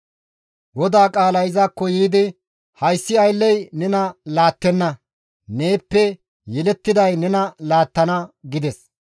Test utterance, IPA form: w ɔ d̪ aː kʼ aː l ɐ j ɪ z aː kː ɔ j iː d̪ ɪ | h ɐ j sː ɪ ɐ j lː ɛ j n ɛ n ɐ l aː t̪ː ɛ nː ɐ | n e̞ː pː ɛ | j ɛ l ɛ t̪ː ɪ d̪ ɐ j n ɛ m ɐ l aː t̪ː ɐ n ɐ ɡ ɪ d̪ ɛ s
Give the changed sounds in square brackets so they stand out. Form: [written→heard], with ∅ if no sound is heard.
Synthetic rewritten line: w ɔ d̪ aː kʼ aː l ɐ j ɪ z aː kː ɔ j iː d̪ ɪ | h ɐ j sː ɪ ɐ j lː ɛ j n ɛ n ɐ l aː t̪ː ɛ nː ɐ | n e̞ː pː ɛ | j ɛ l ɛ t̪ː ɪ d̪ ɐ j n ɛ [m→n] ɐ l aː t̪ː ɐ n ɐ ɡ ɪ d̪ ɛ s